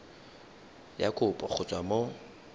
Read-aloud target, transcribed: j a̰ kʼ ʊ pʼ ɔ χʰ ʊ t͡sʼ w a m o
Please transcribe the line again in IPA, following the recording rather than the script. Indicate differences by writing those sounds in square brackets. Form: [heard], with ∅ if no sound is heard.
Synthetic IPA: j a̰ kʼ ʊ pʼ ɔ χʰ ʊ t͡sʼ w a m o